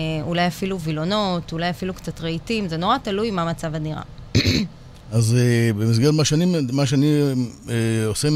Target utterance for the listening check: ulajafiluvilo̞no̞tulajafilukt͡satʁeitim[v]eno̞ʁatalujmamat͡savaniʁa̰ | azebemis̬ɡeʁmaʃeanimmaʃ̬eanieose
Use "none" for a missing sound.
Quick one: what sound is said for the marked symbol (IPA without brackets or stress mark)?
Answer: z